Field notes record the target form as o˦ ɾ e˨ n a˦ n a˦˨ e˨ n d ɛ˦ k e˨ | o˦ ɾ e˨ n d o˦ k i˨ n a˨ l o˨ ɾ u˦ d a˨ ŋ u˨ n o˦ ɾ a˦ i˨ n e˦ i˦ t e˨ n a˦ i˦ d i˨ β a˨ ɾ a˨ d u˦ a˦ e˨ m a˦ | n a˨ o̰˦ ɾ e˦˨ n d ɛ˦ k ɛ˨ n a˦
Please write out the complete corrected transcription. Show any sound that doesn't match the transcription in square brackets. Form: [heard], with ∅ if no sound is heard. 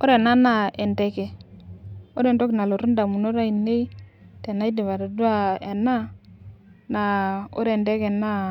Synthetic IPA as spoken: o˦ ɾ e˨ n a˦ n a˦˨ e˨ n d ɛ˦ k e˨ | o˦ ɾ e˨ n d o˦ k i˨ n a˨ l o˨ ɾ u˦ d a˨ [m] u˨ n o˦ ɾ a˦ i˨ n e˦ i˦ t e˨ n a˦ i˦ d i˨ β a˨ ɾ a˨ d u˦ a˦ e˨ [n] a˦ | n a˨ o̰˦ ɾ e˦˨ n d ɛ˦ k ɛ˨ n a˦